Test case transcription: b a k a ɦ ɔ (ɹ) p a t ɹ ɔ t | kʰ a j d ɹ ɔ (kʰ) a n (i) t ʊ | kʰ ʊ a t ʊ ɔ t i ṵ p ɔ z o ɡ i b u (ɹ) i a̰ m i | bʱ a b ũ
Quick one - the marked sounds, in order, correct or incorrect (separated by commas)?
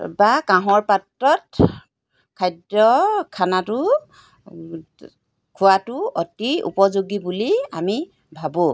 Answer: correct, correct, incorrect, incorrect